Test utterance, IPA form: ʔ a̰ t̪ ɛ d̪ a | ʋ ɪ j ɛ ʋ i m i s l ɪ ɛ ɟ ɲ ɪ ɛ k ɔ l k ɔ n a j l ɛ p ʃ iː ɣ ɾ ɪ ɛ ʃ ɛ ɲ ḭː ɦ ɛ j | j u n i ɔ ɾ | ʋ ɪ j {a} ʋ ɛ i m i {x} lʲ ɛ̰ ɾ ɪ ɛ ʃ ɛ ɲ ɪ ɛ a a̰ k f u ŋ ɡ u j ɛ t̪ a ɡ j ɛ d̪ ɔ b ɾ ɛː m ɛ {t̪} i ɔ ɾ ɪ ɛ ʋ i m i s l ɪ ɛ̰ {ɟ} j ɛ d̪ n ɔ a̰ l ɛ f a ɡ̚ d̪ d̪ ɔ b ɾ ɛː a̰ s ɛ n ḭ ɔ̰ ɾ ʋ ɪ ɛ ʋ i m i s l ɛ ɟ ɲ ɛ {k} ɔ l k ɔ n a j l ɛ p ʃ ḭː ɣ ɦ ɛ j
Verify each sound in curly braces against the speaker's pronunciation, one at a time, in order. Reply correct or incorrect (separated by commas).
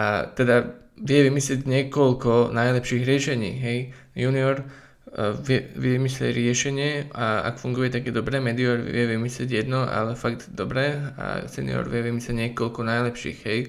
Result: incorrect, incorrect, incorrect, correct, correct